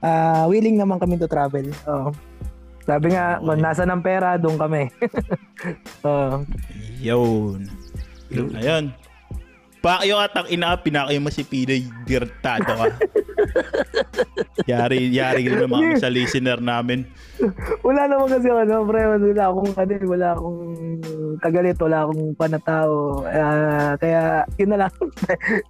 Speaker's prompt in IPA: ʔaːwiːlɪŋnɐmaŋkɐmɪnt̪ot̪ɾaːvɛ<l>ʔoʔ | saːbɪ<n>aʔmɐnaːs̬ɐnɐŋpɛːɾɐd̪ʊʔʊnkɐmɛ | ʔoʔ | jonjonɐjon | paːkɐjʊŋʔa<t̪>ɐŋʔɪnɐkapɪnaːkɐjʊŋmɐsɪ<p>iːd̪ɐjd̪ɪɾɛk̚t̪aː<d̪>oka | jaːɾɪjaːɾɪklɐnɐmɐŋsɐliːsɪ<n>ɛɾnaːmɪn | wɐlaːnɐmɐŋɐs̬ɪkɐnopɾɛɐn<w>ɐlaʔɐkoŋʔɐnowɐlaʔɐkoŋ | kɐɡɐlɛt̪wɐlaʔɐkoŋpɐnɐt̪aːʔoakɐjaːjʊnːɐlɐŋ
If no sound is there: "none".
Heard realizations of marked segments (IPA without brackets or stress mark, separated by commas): l, ŋ, t̪, p, d̪, n, w